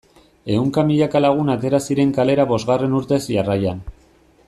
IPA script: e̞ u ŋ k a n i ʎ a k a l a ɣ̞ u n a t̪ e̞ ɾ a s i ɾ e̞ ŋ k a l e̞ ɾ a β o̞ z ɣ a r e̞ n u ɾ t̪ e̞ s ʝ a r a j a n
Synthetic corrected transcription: e̞ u ŋ k a m i ʎ a k a l a ɣ̞ u n a t̪ e̞ ɾ a s i ɾ e̞ ŋ k a l e̞ ɾ a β o̞ z ɣ a r e̞ n u ɾ t̪ e̞ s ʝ a r a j a n